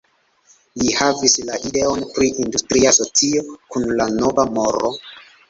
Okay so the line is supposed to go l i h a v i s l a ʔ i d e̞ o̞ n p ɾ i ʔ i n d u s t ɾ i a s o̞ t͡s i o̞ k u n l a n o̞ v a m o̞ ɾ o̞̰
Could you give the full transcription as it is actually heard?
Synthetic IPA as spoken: l i h a v i s l a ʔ i d e̞ o̞ n p ɾ i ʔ i n d u s t ɾ i a s o̞ t͡s i o̞ k u n l a n o̞ v a m o̞ ɾ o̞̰